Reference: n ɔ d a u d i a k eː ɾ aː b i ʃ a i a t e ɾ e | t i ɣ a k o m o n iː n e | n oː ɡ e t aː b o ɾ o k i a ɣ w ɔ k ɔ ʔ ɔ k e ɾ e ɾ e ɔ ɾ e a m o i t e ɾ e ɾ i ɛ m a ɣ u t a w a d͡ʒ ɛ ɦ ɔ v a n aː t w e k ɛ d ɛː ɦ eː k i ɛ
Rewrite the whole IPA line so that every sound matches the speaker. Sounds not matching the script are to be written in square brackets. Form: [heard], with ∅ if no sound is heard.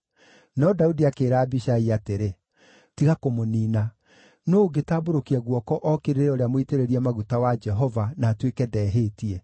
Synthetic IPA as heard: n ɔ d a u d i a k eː ɾ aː b i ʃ a i a t e ɾ e | t i ɣ a k o m o n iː n [a] | n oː ɡ e t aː b o ɾ o k i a ɣ w ɔ k ɔ ʔ ɔ k e ɾ e ɾ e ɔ ɾ e a m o i t e ɾ e ɾ i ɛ m a ɣ u t a w a d͡ʒ ɛ ɦ ɔ v a n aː t w e k ɛ d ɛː ɦ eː [t] i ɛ